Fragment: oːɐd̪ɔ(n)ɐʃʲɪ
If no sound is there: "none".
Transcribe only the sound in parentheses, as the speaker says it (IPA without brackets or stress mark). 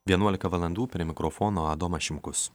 m